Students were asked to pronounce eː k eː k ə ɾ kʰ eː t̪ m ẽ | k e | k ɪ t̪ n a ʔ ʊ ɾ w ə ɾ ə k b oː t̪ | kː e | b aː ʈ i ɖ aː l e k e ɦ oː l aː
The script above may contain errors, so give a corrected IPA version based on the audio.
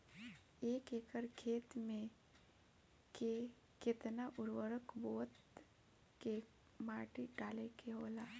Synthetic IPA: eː k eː k ə ɾ kʰ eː t̪ m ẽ | k e | k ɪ t̪ n a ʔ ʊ ɾ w ə ɾ ə k b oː t̪ | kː e | m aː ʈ i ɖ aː l e k e ɦ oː l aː